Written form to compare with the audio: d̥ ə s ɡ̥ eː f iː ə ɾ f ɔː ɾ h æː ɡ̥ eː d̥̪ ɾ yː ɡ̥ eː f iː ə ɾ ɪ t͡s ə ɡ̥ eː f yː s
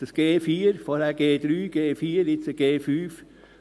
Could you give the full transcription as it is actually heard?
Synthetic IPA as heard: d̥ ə s ɡ̥ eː f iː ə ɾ f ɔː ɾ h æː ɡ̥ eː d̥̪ ɾ yː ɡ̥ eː f iː ə ɾ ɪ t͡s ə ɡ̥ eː f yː f